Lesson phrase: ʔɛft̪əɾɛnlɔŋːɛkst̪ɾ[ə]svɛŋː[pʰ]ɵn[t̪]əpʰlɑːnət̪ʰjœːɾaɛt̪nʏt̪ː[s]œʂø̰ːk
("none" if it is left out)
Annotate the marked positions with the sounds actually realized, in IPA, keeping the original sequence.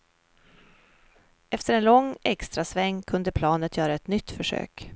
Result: a, kʰ, d̪, f

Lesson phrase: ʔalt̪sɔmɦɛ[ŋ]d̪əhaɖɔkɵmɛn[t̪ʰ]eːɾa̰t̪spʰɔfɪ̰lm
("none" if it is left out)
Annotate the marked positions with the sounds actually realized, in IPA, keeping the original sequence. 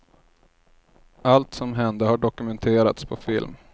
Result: n, t̪ʰ

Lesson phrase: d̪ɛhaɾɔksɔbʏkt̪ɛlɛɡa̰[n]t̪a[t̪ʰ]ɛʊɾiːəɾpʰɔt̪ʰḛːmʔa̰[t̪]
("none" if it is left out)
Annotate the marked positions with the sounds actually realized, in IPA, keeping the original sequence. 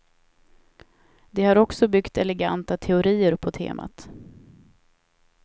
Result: n, t̪ʰ, t̪

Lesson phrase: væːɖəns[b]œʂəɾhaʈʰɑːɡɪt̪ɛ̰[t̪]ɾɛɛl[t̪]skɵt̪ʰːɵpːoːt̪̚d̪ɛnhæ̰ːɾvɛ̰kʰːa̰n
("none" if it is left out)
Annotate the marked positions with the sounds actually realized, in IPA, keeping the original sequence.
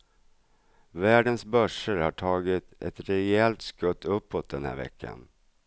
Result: b, t̪, t̪

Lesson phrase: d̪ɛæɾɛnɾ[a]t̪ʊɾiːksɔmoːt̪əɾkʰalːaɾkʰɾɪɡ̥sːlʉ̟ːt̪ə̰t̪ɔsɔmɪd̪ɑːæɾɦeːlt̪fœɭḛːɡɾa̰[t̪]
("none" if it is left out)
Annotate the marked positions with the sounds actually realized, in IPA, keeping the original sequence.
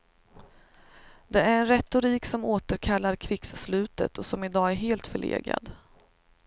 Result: ɛ, d̪

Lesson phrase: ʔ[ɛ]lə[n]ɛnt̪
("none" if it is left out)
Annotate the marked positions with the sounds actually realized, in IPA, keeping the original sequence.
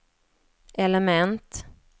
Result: ɛ, m

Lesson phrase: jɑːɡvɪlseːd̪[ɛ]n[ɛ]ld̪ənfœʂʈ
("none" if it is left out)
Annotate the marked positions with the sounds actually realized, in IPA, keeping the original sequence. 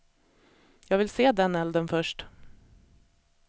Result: ɛ, ɛ

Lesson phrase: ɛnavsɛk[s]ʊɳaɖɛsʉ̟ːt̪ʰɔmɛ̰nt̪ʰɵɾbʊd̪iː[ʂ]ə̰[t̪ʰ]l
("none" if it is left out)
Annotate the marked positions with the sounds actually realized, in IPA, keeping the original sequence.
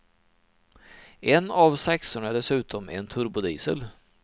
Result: s, s, none

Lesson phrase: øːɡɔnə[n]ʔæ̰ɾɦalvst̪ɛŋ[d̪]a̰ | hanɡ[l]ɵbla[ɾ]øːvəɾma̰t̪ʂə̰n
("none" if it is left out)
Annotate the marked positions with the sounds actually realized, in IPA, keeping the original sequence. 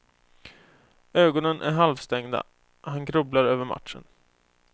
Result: n, d̪, ɾ, ɾ

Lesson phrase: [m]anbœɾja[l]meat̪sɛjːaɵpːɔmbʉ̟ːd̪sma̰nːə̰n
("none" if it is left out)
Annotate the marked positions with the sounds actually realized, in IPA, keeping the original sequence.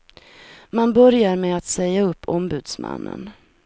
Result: m, ɾ

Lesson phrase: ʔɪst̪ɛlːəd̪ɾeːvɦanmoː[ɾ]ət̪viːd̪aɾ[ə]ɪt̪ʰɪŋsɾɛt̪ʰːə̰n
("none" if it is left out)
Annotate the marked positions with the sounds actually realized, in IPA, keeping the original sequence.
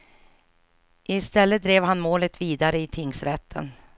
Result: l, ə

